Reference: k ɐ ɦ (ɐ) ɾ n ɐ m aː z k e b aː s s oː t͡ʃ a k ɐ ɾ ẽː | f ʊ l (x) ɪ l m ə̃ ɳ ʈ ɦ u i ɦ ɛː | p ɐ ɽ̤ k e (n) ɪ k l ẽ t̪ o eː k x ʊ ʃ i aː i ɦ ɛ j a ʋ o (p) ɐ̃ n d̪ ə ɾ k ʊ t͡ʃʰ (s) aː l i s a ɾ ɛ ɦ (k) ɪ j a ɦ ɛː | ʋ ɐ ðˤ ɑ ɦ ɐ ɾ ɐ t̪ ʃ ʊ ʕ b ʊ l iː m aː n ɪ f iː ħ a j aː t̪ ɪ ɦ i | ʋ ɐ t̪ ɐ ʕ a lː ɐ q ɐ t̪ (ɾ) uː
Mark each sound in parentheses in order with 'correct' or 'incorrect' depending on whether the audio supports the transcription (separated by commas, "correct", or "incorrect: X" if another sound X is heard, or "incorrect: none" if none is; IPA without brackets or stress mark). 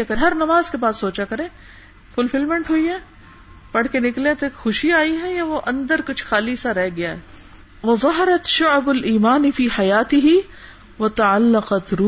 correct, incorrect: f, correct, incorrect: ʔ, incorrect: x, incorrect: ɡ, correct